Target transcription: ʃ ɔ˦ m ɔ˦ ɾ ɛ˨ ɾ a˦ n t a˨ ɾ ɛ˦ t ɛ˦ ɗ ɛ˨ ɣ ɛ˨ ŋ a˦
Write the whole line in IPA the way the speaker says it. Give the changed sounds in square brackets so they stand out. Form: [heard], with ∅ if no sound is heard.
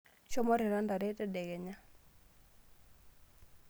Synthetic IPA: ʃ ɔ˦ m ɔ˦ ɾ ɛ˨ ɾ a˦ n [d] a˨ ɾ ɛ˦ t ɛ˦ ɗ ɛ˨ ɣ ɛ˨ [ɲ] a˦